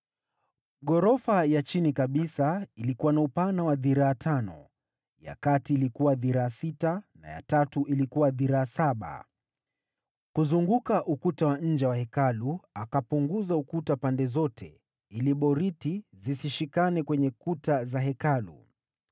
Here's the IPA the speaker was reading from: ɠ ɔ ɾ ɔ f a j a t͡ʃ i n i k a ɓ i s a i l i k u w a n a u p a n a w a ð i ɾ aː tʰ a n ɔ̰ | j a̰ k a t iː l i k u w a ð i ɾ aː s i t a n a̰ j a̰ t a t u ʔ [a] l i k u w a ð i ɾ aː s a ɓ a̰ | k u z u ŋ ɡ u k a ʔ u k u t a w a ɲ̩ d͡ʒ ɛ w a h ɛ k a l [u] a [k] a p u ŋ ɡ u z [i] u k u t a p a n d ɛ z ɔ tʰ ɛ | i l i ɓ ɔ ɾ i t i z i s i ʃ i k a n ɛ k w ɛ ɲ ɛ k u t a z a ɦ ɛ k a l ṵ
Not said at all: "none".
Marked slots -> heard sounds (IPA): i, u, k, a

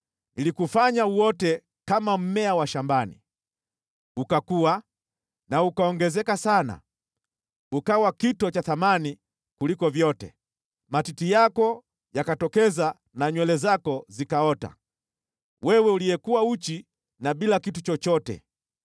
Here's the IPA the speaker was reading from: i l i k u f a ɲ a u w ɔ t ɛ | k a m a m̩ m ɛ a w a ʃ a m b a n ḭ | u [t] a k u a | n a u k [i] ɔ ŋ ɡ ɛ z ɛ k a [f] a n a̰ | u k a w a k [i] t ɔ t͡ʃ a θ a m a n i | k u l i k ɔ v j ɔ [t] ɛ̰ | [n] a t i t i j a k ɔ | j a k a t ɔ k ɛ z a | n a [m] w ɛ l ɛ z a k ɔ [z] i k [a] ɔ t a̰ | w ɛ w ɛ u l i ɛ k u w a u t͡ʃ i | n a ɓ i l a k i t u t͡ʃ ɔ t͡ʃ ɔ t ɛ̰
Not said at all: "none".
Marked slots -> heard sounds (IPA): k, a, s, i, t, m, ɲ, z, a

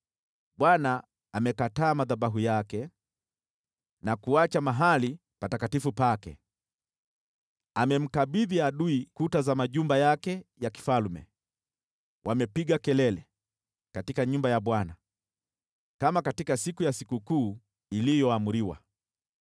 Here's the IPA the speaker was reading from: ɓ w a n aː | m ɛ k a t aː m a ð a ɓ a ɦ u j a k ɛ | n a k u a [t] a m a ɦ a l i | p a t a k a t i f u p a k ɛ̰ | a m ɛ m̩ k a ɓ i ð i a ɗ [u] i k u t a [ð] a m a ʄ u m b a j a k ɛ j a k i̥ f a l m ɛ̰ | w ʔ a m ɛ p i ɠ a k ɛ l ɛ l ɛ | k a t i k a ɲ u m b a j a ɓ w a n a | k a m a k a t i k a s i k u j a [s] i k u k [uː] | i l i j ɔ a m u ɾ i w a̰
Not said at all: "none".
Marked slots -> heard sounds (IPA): t͡ʃ, u, z, s, uː

